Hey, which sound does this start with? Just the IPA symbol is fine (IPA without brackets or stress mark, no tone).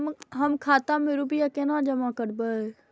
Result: ɦ